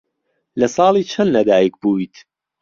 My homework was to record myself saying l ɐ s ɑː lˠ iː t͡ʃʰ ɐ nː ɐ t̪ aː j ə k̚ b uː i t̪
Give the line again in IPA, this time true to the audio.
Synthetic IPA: l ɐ s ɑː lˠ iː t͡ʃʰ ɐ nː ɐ d̪ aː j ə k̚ b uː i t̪